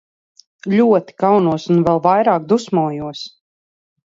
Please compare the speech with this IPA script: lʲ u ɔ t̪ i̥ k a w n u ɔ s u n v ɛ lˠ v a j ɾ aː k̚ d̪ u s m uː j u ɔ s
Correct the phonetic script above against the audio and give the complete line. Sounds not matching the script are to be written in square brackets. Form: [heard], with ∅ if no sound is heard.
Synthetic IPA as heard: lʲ u ɔ t̪ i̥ k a w n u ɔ s u n v ɛ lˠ v a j ɾ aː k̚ d̪ u s m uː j u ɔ s